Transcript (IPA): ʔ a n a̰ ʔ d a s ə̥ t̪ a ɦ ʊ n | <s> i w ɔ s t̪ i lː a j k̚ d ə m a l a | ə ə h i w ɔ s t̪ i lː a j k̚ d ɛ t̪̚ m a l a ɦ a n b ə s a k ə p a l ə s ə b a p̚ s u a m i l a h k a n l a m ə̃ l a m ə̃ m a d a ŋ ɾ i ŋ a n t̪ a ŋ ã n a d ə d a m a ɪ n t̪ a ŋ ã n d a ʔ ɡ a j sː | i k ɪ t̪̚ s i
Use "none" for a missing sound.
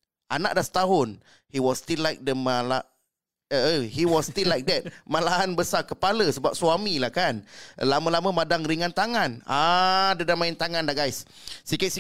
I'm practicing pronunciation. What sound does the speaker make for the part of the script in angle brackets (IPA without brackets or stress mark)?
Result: h